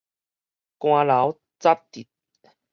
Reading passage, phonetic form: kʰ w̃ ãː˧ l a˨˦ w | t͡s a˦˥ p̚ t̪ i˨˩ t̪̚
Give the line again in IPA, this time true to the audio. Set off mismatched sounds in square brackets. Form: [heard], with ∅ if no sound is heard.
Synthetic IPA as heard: [k] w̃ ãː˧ l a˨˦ w | t͡s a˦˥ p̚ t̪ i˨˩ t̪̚